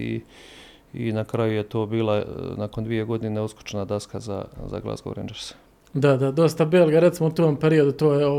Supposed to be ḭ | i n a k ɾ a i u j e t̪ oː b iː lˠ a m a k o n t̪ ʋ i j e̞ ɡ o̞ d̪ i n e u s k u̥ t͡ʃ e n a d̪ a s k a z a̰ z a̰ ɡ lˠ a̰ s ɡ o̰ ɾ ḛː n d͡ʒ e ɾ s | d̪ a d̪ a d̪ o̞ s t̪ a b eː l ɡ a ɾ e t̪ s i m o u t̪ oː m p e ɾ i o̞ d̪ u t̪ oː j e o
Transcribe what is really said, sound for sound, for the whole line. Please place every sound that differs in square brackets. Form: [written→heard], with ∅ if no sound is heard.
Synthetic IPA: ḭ | i n a k ɾ a [i→j] u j e t̪ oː b iː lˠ a [m→n] a k o n [t̪→d̪] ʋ i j e̞ ɡ o̞ d̪ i n e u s k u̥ t͡ʃ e n a d̪ a s k a z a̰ z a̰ ɡ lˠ a̰ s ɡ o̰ ɾ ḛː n d͡ʒ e ɾ s | d̪ a d̪ a d̪ o̞ s t̪ a b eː l ɡ a ɾ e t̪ s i m o u t̪ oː m p e ɾ i o̞ d̪ u t̪ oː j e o